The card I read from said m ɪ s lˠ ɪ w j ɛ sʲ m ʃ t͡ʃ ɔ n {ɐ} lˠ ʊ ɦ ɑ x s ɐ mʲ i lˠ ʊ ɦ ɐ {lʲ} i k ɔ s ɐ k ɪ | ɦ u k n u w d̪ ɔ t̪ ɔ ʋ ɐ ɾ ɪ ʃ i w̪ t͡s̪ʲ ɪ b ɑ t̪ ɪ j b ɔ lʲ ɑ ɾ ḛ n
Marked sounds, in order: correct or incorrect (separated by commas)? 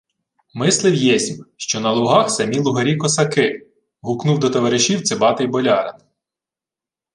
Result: correct, incorrect